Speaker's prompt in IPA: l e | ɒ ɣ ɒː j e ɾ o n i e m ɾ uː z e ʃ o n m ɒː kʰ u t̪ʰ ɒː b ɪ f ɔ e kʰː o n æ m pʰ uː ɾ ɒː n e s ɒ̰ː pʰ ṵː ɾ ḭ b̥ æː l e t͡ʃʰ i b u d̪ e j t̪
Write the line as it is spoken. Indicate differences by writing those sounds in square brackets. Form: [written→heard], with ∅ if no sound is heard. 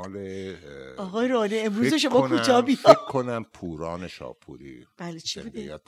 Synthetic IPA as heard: l e | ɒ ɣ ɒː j e ɾ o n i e m ɾ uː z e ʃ o [n→∅] m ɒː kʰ u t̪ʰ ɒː b [ɪ→i] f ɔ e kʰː o n æ m pʰ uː ɾ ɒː n e [s→ʃ] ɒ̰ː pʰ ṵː ɾ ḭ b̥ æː l e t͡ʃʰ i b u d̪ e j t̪